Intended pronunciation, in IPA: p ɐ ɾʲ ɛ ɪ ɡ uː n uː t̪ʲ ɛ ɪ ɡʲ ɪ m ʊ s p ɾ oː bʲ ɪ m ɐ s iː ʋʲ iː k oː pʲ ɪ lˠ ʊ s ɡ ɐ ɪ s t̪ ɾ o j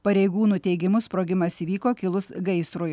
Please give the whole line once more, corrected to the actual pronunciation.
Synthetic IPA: p ɐ ɾʲ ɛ ɪ ɡ uː n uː t̪ʲ ɛ ɪ ɡʲ ɪ m ʊ s p ɾ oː ɡʲ ɪ m ɐ s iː ʋʲ iː k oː kʲ ɪ lˠ ʊ s ɡ ɐ ɪ s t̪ ɾ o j